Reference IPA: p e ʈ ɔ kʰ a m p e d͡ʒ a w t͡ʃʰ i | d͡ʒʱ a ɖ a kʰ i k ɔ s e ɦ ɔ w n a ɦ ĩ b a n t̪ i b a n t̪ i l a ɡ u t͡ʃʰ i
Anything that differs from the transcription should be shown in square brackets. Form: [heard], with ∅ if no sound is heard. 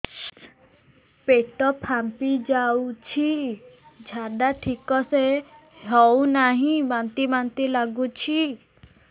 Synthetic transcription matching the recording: p e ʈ ɔ [pʰ] a m p [i] d͡ʒ a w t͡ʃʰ i | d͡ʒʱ a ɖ a [ʈʰ] i k ɔ s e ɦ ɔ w n a ɦ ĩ b a n t̪ i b a n t̪ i l a ɡ u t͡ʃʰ i